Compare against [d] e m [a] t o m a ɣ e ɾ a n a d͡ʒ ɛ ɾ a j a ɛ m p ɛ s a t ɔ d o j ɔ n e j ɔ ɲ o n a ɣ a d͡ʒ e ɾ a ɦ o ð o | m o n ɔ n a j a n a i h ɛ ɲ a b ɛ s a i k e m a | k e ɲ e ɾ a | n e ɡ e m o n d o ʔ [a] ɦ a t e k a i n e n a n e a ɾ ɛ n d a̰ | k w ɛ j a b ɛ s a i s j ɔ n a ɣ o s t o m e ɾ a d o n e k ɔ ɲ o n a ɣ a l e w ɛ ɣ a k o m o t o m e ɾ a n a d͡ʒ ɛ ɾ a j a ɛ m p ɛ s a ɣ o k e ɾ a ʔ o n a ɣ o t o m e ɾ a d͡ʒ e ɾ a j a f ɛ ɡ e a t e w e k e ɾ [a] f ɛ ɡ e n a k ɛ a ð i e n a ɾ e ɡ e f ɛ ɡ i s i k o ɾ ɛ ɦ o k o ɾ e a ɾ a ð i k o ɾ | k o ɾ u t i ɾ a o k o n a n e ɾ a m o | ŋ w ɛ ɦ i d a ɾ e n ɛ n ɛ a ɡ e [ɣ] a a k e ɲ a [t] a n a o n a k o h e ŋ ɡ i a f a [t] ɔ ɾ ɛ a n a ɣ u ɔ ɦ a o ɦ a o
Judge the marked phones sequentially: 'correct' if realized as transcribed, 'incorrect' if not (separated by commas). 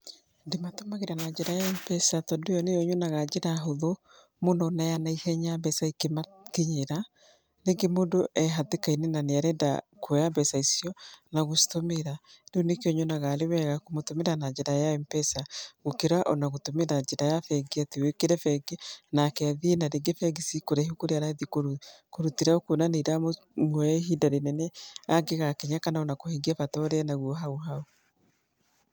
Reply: correct, correct, incorrect, incorrect, correct, incorrect, correct